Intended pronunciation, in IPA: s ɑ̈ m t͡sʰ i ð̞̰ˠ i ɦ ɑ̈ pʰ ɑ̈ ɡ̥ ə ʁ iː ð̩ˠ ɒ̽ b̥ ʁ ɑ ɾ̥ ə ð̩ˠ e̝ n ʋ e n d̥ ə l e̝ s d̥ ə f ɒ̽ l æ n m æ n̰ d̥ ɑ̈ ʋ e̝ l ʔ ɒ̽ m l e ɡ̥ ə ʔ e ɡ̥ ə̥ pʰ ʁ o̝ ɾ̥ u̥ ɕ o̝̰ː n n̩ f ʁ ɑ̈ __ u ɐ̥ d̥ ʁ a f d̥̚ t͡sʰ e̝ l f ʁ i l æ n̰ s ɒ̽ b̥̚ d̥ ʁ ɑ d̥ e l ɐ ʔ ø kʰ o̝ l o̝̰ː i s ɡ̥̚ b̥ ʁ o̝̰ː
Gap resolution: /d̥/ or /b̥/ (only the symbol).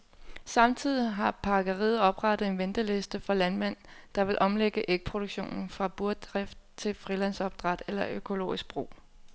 b̥